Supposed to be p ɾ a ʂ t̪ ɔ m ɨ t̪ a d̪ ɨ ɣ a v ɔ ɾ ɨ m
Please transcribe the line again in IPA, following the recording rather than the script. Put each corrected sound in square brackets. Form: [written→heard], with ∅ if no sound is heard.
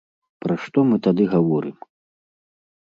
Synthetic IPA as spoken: p ɾ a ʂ t̪ ɔ m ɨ t̪ a d̪ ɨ ɣ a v ɔ ɾ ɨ m